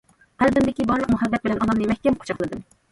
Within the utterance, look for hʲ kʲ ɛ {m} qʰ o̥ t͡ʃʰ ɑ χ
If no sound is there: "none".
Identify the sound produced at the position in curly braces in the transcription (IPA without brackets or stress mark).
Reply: m